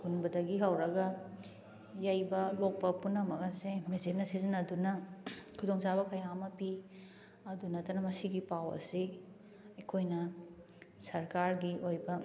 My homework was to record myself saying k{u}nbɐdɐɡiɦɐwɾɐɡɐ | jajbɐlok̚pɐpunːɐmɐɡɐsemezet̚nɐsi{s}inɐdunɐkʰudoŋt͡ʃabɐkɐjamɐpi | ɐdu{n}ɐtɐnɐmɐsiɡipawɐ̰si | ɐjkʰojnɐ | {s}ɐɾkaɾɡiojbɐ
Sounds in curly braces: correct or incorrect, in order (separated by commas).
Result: correct, incorrect, correct, correct